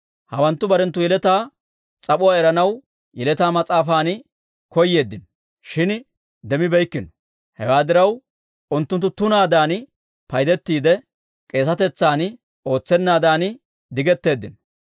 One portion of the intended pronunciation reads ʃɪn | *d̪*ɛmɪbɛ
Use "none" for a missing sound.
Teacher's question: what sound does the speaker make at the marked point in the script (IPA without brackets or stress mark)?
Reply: d̪